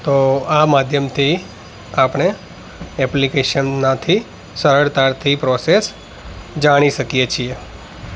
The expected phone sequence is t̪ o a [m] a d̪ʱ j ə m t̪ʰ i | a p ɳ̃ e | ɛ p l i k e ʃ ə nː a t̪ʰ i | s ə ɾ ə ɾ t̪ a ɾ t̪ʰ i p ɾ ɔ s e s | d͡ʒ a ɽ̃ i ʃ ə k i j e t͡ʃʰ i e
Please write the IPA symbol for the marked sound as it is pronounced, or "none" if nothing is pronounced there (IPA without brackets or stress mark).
m